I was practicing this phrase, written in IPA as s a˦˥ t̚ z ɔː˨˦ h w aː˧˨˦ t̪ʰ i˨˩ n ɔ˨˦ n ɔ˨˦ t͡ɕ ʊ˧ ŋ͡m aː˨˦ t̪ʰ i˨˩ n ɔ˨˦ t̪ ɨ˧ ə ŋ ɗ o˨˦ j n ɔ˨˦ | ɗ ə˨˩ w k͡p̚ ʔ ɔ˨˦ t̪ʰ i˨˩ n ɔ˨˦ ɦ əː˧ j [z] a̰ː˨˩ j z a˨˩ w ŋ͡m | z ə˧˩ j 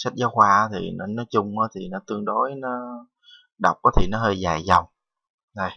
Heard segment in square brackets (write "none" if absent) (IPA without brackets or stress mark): z